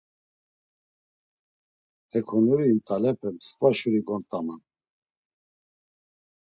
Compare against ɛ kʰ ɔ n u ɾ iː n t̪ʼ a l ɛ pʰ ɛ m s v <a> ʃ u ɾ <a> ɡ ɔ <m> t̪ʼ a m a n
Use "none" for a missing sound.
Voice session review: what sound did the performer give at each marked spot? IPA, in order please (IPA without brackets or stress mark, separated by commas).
a, i, n